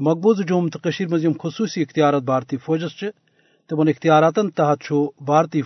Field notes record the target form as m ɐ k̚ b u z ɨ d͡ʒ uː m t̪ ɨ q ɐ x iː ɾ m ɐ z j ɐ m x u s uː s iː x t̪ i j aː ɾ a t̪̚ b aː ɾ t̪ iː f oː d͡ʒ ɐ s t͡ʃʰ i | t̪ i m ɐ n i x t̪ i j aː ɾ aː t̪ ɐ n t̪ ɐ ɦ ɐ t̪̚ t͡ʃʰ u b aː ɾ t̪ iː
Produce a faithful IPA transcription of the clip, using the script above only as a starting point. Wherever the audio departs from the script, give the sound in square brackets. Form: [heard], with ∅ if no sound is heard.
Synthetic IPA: m ɐ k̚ b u z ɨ d͡ʒ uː m t̪ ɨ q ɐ [ʃ] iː ɾ m ɐ z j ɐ m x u s uː s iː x t̪ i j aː ɾ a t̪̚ b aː ɾ t̪ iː f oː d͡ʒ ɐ s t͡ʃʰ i | t̪ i m ɐ n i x t̪ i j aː ɾ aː t̪ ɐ n t̪ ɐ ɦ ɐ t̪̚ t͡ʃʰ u b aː ɾ t̪ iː